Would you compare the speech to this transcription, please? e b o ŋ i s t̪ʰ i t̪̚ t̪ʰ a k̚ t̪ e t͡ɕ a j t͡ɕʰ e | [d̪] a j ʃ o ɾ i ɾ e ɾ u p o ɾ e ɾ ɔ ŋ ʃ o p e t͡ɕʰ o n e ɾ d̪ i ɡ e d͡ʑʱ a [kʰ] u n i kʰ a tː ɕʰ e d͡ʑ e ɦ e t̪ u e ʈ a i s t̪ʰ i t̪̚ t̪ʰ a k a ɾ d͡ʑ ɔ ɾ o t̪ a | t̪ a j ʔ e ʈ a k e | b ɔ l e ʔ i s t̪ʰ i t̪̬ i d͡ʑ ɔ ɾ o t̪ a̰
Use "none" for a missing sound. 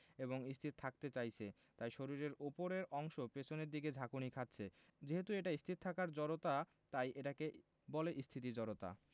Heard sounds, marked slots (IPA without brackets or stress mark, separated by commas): t̪, k